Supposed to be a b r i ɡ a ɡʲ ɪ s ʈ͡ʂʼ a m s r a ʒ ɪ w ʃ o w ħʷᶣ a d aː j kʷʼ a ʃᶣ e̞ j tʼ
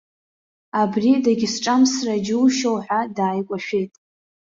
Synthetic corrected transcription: a b r i d a ɡʲ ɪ s ʈ͡ʂʼ a m s r a d͡ʒ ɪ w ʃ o w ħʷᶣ a d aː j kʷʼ a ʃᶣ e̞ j tʼ